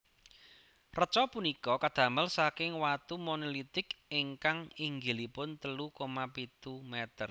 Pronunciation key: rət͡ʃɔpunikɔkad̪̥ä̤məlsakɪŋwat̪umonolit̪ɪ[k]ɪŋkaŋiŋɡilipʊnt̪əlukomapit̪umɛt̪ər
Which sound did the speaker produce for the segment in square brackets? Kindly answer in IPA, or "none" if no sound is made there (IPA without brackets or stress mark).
k